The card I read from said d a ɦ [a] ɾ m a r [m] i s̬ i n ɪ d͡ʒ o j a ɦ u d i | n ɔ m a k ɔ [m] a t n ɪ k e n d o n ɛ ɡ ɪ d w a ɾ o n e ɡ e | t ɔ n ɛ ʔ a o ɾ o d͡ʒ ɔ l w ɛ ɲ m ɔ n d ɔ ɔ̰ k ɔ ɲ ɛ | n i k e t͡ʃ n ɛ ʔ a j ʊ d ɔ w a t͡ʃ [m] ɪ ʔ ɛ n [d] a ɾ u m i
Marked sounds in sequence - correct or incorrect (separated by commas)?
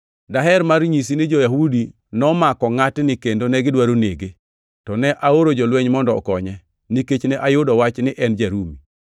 incorrect, incorrect, incorrect, incorrect, incorrect